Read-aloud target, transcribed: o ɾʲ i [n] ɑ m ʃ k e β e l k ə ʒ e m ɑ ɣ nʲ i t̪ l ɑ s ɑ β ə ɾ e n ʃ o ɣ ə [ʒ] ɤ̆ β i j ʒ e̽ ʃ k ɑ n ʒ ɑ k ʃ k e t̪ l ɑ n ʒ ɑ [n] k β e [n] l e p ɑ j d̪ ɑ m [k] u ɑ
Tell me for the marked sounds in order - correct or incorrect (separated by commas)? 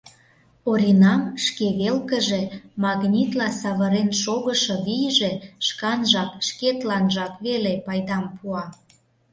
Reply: correct, incorrect, incorrect, incorrect, incorrect